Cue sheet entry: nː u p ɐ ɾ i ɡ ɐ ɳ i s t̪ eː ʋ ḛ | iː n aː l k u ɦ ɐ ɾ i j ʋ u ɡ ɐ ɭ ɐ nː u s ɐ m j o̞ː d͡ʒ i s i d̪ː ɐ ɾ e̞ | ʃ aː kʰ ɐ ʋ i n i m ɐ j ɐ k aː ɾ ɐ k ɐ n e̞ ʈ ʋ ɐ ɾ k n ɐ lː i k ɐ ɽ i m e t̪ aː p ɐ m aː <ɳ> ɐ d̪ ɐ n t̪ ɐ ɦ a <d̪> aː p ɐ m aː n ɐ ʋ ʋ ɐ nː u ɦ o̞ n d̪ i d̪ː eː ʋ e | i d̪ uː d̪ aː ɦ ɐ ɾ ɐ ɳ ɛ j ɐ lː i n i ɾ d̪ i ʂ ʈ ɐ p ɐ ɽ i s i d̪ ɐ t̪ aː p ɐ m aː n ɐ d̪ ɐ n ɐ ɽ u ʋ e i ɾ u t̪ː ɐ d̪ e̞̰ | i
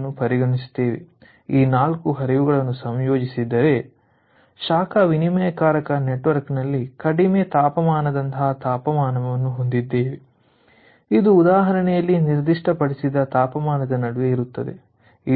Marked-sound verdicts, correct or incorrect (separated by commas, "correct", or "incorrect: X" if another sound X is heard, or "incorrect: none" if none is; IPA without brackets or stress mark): incorrect: n, incorrect: t̪